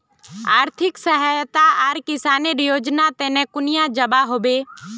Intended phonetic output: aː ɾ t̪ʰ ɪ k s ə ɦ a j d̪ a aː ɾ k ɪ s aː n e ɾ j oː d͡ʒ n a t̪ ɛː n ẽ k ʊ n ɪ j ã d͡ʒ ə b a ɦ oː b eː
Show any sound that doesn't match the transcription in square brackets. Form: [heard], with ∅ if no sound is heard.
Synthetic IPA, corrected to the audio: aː ɾ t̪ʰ ɪ k s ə ɦ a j [t̪] a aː ɾ k ɪ s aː n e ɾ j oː d͡ʒ n a t̪ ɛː n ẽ k ʊ n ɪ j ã d͡ʒ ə b a ɦ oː b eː